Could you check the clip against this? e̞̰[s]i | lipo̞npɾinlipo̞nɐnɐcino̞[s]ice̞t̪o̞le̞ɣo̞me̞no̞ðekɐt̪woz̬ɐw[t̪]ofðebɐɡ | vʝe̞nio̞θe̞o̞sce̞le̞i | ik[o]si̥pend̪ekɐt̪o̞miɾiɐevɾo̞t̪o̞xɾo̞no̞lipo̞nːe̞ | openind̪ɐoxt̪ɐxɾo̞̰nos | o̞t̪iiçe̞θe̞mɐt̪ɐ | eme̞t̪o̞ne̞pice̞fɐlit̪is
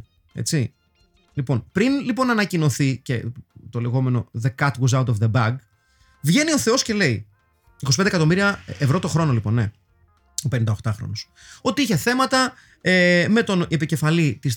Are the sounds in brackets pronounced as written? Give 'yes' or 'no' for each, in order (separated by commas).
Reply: no, no, yes, yes